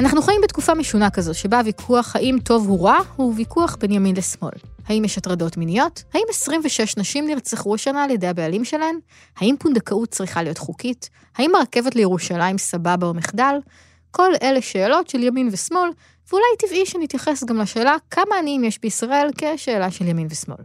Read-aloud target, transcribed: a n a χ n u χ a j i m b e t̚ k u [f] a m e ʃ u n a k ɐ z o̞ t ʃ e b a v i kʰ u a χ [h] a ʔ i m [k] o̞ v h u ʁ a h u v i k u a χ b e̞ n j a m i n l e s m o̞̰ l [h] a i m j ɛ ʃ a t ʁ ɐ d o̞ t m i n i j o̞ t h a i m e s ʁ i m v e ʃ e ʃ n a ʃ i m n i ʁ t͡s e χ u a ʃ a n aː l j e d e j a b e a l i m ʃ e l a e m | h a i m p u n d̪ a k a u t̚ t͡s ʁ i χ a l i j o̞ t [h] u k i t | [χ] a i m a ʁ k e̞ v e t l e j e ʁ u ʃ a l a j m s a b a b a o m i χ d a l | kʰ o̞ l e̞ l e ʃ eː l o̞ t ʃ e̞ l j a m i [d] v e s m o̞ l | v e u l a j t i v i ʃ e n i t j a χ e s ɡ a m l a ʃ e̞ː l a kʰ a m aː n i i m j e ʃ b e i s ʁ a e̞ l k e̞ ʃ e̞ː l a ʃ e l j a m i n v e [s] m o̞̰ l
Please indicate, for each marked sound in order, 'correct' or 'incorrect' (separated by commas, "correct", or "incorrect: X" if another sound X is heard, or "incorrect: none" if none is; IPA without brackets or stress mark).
correct, correct, incorrect: t, correct, incorrect: χ, incorrect: h, incorrect: n, correct